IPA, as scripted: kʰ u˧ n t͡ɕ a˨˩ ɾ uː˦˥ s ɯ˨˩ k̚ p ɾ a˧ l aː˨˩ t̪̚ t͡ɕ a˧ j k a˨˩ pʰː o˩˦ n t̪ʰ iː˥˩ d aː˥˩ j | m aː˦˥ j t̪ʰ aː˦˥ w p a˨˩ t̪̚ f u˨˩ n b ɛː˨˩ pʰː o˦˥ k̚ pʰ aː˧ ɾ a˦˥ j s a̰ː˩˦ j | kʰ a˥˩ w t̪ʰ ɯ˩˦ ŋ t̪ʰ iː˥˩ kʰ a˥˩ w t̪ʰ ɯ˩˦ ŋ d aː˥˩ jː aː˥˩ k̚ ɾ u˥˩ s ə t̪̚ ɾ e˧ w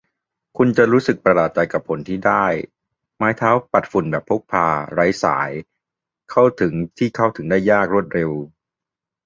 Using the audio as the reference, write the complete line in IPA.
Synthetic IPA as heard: kʰ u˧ n t͡ɕ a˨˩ ɾ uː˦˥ s ɯ˨˩ k̚ p ɾ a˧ l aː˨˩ t̪̚ t͡ɕ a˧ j k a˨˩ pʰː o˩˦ n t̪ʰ iː˥˩ d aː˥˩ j | m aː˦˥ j t̪ʰ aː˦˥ w p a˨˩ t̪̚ f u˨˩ n b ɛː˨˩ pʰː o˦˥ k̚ pʰ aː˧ ɾ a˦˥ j s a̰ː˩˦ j | kʰ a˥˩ w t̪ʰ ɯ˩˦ ŋ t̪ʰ iː˥˩ kʰ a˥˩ w t̪ʰ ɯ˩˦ ŋ d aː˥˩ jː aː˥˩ k̚ ɾ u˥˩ ə t̪̚ ɾ e˧ w